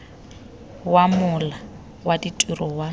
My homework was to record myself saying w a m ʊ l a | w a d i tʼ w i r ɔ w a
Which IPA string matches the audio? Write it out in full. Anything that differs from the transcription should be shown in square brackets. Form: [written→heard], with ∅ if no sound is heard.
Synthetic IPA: w a m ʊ l a | w a d i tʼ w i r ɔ w a